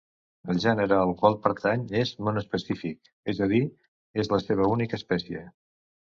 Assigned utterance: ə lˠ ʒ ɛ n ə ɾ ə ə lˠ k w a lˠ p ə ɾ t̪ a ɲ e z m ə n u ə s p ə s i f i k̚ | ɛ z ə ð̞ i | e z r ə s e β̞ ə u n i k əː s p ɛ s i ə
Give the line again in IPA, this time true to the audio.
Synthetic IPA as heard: ə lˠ ʒ ɛ n ə ɾ ə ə lˠ k w a lˠ p ə ɾ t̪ a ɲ e z m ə n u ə s p ə s i f i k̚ | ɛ z ə ð̞ i | e z l ə s e β̞ ə u n i k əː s p ɛ s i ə

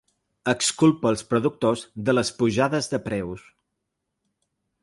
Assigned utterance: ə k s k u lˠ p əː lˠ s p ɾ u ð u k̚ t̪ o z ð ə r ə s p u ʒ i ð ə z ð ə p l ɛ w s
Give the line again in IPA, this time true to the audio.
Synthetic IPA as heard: ə k s k u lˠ p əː lˠ s p ɾ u ð u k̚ t̪ o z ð ə l ə s p u ʒ a ð ə z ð ə p ɾ ɛ w s

